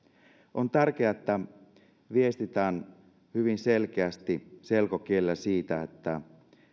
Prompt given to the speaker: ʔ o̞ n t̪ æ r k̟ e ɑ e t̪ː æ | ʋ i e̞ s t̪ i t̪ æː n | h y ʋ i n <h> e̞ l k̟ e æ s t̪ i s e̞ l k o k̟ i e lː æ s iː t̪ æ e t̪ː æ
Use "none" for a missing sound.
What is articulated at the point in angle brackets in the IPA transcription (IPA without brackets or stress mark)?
s